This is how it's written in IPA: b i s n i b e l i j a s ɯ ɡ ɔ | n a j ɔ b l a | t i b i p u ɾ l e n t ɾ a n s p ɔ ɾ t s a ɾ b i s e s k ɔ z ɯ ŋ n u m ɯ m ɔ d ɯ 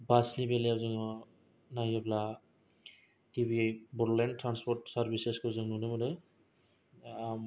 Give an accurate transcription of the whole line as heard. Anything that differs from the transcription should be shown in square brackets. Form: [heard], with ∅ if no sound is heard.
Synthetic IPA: b [a] s n i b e l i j a [z] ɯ [ŋ] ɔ | n a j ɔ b l a | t i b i [b] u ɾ l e n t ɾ a n s p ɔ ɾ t s a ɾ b i s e s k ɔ z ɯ ŋ n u [n] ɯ m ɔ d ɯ